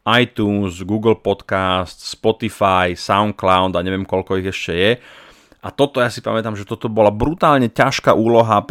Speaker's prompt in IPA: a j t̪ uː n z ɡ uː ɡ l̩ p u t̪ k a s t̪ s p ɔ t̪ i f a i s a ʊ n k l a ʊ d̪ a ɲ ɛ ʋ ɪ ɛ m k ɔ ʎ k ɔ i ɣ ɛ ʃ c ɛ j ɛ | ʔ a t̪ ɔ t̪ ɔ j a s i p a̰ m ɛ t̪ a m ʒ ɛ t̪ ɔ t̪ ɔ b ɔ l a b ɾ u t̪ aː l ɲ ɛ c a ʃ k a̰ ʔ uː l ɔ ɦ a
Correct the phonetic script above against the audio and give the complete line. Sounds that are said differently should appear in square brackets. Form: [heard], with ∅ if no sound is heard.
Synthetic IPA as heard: a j t̪ uː n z ɡ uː ɡ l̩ p [ɔ] t̪ k a s t̪ s p ɔ t̪ i f a [j] s a ʊ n k l a ʊ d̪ a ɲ ɛ ʋ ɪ ɛ m k ɔ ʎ k ɔ i ɣ ɛ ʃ c ɛ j ɛ | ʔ a t̪ ɔ t̪ ɔ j a s i p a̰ m ɛ t̪ a m ʒ ɛ t̪ ɔ t̪ ɔ b ɔ l a b ɾ u t̪ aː l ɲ ɛ c a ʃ k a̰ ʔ uː l ɔ ɦ a